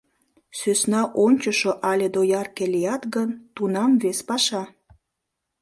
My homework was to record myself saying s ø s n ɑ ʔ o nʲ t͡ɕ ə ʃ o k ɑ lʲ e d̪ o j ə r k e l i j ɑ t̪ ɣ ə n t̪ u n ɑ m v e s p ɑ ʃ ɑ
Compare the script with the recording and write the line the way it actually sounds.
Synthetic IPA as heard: s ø s n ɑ ʔ o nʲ t͡ɕ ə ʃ o ʔ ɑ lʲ e d̪ o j ɑ r k e l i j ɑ t̪ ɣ ə n t̪ u n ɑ m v e s p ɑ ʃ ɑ